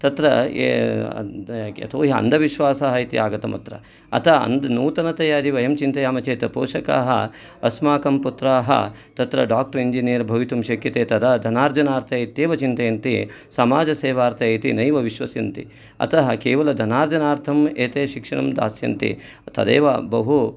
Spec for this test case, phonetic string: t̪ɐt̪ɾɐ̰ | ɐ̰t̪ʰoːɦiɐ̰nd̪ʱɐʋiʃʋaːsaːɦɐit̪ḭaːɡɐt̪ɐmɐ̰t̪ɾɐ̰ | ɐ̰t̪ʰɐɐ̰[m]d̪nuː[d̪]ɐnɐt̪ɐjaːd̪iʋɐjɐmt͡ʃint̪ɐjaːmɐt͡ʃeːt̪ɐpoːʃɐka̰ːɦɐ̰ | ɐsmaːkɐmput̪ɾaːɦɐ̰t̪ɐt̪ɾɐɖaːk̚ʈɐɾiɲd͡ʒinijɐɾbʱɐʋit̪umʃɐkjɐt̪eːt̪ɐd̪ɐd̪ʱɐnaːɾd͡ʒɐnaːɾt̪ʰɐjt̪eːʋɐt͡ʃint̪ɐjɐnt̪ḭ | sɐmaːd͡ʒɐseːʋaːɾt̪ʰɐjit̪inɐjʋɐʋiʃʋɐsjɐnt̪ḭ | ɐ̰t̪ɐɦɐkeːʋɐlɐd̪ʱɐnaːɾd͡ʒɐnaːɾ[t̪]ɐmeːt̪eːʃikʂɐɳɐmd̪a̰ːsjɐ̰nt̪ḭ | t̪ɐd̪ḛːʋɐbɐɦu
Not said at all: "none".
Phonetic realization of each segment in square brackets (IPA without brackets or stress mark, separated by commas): n, t̪, t̪ʰ